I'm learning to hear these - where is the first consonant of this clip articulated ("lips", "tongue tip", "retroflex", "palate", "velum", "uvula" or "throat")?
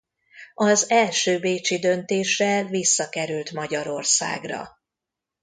tongue tip